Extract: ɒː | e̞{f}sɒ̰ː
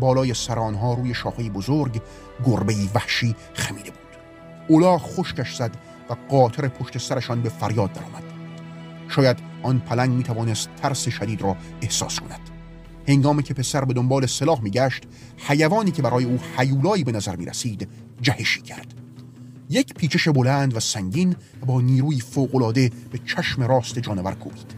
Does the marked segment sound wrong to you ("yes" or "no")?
yes